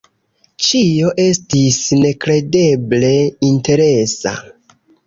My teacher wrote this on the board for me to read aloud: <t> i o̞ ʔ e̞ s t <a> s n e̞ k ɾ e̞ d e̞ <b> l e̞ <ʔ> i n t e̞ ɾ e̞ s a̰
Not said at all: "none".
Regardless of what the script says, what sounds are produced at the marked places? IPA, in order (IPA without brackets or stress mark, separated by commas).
t͡ʃ, i, b, none